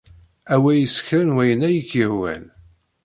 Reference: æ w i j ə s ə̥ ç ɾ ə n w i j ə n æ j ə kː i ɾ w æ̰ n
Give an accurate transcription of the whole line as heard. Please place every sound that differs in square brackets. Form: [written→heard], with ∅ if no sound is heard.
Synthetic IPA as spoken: æ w [i→æ] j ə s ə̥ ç ɾ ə n w [i→æ] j ə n æ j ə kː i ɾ w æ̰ n